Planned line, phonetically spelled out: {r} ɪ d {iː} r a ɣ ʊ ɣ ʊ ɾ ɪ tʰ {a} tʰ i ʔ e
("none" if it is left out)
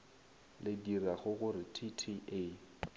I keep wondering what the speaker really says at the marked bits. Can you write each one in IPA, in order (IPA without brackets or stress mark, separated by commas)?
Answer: l, i, i